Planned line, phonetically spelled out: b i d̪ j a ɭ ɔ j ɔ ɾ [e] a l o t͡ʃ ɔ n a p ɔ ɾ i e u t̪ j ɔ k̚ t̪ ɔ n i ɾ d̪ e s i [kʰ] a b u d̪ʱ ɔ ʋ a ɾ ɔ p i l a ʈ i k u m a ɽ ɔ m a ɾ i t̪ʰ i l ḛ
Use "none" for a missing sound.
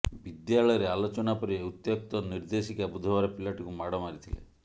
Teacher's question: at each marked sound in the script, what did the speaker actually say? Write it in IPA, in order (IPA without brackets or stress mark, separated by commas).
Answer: e, k